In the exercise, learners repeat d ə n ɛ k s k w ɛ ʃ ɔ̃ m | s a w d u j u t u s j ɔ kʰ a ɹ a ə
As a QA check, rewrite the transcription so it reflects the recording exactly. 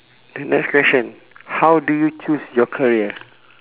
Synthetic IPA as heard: d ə n ɛ k s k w ɛ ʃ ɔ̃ n | h a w d u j u t͡ʃ u s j ɔ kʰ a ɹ i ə